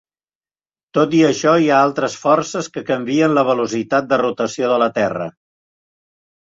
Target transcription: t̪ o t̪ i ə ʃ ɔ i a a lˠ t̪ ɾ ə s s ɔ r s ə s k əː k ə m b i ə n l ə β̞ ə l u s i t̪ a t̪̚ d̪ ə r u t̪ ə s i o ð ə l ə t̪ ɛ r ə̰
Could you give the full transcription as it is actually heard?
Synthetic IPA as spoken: t̪ o t̪ i ə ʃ ɔ i a a lˠ t̪ ɾ ə s f ɔ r s ə s k ə k ə m b i ə n l ə β̞ ə l u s i t̪ a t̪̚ d̪ ə r u t̪ ə s i o ð ə l ə t̪ ɛ r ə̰